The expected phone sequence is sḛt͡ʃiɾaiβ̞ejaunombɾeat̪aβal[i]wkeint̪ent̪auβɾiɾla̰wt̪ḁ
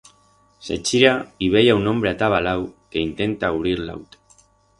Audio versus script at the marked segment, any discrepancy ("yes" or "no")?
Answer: yes